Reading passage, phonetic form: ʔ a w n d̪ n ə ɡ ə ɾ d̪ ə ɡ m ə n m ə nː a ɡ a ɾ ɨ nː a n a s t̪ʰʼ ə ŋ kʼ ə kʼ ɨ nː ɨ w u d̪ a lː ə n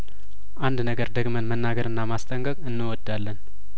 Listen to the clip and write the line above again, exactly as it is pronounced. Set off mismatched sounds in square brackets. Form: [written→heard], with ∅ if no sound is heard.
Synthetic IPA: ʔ a [w→∅] n d̪ n ə ɡ ə ɾ d̪ ə ɡ m ə n m ə nː a ɡ [a→ə] ɾ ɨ nː a [n→m] a s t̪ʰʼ ə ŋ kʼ ə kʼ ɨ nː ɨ w [u→ɔ] d̪ a lː ə n